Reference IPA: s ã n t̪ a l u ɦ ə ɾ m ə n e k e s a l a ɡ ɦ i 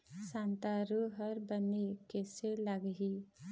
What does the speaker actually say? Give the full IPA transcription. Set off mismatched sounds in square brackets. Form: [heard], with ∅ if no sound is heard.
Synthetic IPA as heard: s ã n t̪ a [ɾ] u ɦ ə ɾ [b] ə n e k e s [e] l a ɡ ɦ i